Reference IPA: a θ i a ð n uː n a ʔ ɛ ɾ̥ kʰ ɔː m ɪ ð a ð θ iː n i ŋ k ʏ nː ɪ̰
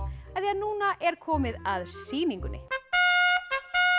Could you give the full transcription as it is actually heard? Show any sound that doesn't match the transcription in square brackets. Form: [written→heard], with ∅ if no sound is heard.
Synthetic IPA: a θ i a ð n uː n a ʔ ɛ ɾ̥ kʰ ɔː m ɪ ð a ð [θ→s] iː n i ŋ k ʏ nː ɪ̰